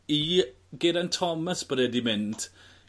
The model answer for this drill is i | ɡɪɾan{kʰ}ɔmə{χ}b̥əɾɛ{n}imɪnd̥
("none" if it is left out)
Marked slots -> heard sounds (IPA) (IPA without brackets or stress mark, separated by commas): tʰ, s, d